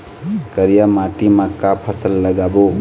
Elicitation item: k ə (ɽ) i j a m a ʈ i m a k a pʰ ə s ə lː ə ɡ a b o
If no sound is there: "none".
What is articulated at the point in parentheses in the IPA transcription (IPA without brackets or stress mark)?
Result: ɾ